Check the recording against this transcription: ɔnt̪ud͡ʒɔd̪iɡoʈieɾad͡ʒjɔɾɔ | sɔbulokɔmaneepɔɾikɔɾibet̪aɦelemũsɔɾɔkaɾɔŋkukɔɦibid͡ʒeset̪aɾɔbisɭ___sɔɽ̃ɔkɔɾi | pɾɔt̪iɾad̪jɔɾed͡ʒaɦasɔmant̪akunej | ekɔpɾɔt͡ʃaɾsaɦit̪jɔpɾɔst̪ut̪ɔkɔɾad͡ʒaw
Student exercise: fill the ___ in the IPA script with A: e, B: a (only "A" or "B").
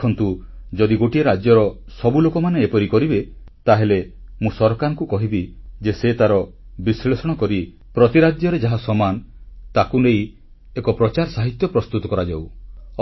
A